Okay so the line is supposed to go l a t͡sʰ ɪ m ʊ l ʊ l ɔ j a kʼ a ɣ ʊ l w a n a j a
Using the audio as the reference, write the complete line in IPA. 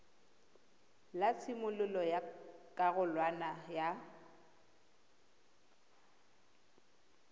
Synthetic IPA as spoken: l a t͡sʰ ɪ m ʊ l ʊ l ɔ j a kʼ a ɣ ʊ l w a n a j a